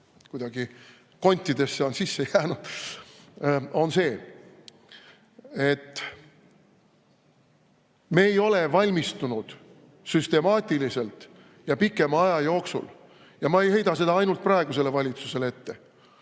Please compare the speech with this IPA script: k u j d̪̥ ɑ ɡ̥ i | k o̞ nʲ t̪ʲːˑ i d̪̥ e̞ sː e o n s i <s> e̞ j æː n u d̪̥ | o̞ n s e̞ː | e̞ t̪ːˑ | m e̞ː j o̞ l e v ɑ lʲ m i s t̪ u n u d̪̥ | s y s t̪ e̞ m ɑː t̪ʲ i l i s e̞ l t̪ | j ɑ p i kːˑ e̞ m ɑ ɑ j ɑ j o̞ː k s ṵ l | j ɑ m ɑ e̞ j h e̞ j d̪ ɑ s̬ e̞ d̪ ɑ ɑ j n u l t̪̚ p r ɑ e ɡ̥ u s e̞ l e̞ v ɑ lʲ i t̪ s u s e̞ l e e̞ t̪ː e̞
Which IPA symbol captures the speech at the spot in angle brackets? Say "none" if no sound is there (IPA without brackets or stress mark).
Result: sː